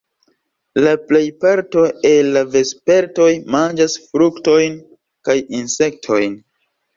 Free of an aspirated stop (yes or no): no